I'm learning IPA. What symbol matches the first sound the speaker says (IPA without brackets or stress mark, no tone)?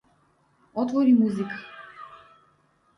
ɔ